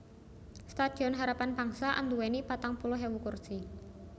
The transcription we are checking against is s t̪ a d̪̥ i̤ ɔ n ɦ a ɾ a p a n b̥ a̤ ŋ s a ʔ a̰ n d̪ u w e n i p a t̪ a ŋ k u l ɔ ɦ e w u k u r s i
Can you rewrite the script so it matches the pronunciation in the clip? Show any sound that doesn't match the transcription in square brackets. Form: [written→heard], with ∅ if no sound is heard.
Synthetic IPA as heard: s t̪ a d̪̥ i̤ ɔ n ɦ a ɾ a p a n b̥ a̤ ŋ s a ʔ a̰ n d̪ u w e n i p a t̪ a ŋ [k→p] u l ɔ ɦ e w u k u r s i